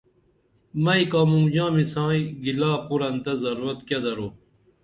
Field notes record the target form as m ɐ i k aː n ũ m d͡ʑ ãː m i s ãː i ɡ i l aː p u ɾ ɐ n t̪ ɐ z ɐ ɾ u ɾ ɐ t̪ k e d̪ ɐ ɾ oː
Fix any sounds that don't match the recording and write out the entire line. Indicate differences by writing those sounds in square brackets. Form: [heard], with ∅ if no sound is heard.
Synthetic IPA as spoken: m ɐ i k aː [m] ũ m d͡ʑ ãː m i s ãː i ɡ i l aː p u ɾ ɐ n t̪ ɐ z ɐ ɾ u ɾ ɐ t̪ k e d̪ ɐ ɾ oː